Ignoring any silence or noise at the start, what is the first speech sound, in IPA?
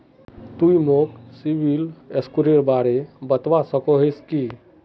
t̪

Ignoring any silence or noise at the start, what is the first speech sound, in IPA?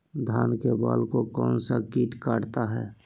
d̪ʱ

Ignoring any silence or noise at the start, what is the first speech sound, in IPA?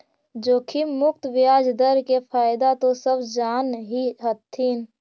d͡ʒ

